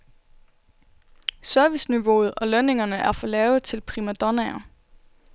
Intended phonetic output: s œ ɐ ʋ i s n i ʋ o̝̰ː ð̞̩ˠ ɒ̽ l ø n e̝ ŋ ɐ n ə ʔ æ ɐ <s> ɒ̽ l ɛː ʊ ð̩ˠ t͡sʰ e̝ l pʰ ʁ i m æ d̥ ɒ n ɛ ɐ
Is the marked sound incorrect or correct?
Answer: incorrect